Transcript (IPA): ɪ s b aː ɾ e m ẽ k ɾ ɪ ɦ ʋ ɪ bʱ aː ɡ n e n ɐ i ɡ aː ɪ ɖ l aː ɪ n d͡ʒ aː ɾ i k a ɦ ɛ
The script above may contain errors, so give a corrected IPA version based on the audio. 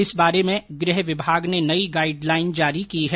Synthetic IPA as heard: ɪ s b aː ɾ e m ẽ ɡ ɾ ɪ ɦ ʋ ɪ bʱ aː ɡ n e n ɐ i ɡ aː ɪ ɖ l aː ɪ n d͡ʒ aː ɾ i k i ɦ ɛ